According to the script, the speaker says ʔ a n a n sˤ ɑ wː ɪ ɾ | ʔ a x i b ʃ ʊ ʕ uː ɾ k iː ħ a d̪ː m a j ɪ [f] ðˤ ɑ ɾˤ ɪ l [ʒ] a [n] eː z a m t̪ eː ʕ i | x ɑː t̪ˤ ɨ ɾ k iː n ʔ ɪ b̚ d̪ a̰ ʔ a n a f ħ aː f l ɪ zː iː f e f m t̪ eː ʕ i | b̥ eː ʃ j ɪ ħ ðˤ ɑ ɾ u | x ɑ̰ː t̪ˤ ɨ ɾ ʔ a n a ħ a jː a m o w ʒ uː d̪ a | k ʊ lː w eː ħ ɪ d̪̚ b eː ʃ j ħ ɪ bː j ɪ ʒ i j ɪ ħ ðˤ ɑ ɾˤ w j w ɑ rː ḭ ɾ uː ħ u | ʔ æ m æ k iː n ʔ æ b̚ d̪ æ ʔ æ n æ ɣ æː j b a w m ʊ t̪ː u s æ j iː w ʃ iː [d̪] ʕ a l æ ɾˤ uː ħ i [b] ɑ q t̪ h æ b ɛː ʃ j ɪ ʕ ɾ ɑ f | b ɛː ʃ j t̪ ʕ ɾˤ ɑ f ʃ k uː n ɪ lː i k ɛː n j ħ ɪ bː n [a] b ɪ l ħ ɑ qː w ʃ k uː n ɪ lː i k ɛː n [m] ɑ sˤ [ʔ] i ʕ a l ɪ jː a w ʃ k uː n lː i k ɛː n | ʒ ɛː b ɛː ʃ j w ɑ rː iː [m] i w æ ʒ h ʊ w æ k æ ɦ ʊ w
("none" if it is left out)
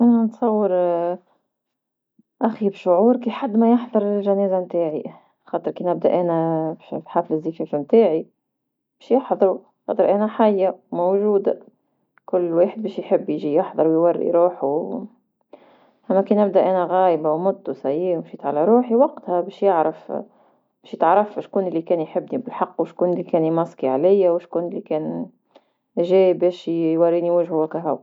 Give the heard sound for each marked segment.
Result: ħ, ʒ, n, t̪, w, i, m, k, n

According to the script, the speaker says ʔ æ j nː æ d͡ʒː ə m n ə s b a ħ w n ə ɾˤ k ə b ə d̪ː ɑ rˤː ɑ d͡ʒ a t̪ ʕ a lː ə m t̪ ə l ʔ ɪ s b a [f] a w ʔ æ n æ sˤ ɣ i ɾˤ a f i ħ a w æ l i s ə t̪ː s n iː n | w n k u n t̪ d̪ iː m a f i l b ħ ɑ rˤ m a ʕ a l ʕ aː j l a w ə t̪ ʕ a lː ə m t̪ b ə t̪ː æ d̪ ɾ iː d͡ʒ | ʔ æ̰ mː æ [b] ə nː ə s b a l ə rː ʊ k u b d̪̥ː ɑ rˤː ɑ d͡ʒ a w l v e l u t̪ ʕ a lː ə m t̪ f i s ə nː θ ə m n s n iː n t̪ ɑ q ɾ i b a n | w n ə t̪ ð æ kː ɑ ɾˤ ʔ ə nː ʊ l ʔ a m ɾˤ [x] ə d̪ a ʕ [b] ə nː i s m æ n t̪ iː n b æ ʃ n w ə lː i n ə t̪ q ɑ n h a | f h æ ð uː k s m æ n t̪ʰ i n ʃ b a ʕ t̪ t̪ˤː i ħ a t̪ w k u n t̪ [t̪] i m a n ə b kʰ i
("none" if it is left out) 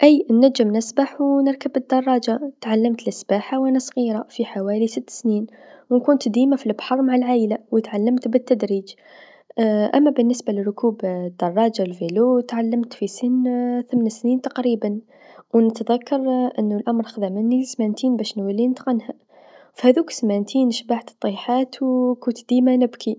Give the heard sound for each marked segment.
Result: ħ, b, x, m, d̪

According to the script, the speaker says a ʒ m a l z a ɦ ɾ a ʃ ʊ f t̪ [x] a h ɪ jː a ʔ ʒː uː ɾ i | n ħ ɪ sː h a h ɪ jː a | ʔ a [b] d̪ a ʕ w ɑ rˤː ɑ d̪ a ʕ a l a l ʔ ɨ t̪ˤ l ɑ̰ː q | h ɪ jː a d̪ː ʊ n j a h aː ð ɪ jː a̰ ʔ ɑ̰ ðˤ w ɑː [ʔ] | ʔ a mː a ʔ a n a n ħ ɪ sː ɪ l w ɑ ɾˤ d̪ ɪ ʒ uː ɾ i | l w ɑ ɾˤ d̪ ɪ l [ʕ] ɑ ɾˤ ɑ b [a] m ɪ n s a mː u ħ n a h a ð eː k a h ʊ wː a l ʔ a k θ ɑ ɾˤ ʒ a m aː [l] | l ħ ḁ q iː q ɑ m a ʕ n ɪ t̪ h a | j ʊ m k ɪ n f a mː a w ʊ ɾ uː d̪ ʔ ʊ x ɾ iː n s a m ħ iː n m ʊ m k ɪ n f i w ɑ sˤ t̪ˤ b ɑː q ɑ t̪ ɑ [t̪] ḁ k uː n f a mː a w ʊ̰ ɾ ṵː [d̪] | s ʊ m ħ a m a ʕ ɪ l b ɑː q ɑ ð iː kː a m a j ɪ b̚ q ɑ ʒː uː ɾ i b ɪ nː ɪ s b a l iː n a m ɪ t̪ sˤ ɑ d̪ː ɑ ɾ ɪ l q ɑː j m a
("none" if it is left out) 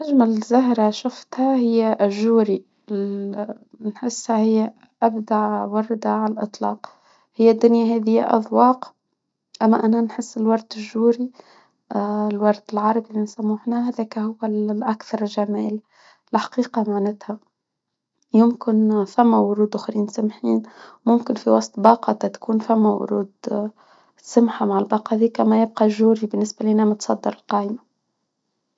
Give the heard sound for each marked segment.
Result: h, b, q, ʕ, i, l, t̪, d̪

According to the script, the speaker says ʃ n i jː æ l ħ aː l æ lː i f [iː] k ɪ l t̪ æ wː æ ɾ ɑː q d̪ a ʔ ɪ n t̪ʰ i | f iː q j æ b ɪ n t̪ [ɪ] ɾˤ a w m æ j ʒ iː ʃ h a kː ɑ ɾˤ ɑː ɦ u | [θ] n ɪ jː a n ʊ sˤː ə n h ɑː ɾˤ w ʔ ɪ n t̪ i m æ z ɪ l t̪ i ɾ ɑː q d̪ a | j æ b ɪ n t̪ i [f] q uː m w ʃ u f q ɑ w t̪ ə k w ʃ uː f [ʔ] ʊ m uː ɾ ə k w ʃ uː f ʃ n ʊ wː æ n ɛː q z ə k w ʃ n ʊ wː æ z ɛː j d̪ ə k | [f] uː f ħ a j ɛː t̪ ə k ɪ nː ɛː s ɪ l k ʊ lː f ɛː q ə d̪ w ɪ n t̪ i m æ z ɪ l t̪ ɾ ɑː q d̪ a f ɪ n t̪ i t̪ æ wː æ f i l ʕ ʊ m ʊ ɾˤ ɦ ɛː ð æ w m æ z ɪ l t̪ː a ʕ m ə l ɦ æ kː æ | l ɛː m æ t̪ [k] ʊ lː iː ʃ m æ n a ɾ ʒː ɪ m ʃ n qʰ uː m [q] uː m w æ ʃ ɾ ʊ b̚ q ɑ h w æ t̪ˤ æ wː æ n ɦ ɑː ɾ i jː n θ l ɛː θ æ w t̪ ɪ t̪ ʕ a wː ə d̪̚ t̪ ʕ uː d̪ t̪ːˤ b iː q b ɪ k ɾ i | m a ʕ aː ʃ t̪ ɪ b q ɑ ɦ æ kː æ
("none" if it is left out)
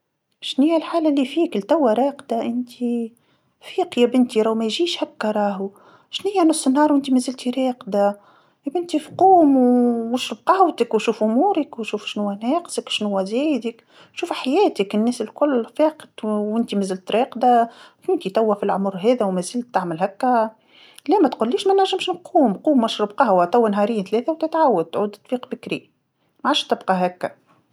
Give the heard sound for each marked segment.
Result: iː, i, ʃ, f, ʔ, ʃ, q, q

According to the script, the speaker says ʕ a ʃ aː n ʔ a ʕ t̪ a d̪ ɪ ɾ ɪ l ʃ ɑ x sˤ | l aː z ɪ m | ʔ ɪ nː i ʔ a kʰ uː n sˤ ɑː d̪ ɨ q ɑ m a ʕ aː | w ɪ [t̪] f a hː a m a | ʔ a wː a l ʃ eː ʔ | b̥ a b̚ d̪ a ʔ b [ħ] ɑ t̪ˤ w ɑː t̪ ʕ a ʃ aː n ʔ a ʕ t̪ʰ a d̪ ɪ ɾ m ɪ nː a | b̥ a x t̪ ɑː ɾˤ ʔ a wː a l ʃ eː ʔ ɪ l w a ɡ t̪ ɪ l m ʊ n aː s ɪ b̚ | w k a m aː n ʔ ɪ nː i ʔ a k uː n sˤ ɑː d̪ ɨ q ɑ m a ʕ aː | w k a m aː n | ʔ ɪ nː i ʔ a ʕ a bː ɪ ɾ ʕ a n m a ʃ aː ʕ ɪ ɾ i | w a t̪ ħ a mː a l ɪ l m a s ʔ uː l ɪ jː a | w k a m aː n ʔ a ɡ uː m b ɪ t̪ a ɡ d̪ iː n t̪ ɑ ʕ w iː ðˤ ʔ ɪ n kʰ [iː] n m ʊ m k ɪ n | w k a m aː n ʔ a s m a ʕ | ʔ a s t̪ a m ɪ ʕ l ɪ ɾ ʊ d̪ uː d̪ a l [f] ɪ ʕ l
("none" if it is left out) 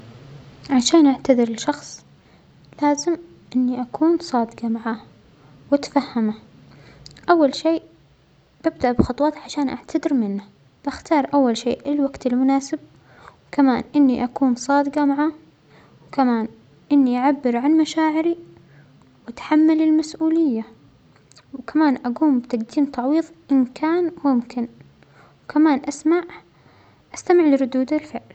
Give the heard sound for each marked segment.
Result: t̪, x, aː, f

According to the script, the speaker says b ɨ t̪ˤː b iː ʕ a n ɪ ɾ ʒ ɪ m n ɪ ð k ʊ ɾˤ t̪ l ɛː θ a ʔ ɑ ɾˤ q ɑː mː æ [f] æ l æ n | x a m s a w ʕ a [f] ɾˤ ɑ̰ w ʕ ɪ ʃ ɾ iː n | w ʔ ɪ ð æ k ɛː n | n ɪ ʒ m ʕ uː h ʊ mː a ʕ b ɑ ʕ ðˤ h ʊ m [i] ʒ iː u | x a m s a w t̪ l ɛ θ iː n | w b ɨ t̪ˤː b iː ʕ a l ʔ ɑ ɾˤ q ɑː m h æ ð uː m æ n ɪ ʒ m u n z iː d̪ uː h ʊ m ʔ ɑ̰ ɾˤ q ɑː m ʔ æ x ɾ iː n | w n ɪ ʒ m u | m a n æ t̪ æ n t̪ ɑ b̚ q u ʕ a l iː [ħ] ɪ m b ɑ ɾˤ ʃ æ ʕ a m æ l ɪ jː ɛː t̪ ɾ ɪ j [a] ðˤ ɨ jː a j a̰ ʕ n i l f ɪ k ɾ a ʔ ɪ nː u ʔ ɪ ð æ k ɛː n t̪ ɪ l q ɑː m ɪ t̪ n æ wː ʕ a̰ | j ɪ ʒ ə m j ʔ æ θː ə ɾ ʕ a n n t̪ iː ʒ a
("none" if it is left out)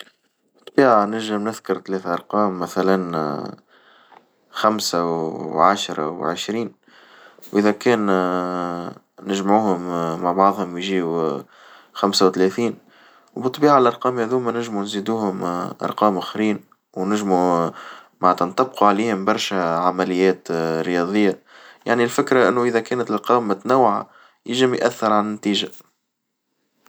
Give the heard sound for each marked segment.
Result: θ, ʃ, j, h, ɑ

